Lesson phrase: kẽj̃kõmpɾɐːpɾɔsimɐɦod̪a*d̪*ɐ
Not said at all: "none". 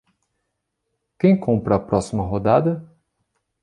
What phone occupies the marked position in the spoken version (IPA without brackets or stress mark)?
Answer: d̪